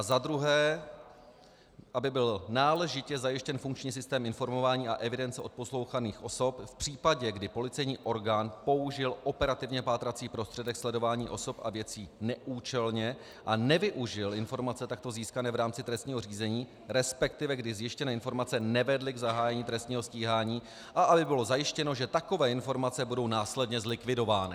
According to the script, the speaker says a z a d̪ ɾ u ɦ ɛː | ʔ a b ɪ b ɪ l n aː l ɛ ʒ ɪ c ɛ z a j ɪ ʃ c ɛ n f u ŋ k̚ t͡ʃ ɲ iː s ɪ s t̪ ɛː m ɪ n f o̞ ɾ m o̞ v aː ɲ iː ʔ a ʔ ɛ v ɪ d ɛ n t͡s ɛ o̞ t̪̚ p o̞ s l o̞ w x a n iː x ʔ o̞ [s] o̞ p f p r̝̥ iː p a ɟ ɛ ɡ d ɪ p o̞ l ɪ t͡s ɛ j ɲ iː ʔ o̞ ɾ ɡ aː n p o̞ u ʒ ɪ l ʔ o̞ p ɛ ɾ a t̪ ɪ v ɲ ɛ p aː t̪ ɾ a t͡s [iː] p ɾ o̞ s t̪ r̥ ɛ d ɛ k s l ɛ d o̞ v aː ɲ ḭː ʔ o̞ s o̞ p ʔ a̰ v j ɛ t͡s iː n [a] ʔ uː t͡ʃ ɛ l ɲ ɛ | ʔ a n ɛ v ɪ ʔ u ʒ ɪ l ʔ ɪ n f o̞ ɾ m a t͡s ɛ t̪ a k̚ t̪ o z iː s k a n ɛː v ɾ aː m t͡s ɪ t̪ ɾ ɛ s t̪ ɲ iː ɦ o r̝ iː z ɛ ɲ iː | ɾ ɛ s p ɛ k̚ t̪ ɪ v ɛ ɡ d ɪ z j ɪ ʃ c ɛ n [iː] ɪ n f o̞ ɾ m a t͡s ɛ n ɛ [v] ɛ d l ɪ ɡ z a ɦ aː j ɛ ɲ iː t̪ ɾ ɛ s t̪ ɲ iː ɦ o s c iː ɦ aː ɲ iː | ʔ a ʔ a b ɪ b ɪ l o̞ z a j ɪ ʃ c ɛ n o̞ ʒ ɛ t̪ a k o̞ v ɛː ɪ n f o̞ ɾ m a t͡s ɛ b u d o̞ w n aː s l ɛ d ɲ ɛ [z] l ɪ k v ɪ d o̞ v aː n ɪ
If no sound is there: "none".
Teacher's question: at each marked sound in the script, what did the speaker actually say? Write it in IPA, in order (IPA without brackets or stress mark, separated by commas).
s, iː, ɛ, ɛː, v, z